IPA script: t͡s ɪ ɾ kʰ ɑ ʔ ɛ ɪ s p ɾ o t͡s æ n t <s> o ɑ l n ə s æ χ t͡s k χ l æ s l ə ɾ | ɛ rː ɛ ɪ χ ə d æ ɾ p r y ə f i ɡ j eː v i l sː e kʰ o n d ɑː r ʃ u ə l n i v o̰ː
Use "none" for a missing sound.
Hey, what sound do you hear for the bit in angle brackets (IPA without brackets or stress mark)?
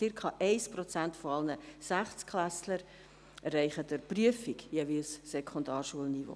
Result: f